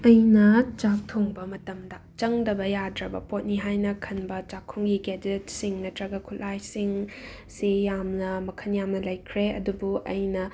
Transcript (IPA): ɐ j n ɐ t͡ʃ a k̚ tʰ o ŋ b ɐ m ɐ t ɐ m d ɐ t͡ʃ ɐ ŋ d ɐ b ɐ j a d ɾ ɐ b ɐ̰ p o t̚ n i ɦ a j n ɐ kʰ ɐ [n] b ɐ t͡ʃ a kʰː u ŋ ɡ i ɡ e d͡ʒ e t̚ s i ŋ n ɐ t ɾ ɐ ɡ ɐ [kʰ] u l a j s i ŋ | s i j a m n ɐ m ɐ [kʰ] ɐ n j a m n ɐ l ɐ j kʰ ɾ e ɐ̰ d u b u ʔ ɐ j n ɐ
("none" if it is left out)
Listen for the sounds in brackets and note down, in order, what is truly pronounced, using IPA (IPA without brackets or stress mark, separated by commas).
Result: n, kʰ, kʰ